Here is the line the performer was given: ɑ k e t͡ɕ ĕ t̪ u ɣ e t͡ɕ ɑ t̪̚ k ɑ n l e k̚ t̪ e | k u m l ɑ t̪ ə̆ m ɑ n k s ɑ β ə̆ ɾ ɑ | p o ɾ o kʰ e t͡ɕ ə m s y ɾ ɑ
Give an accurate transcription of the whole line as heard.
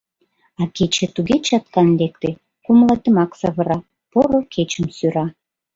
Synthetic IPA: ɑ k e t͡ɕ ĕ t̪ u ɣ e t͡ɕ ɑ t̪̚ k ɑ n l e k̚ t̪ e | k u m l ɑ t̪ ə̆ m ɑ k s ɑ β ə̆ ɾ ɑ | p o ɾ o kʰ e t͡ɕ ə m s y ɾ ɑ